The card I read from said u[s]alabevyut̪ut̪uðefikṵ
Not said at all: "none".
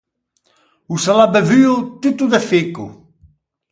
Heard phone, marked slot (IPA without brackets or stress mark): s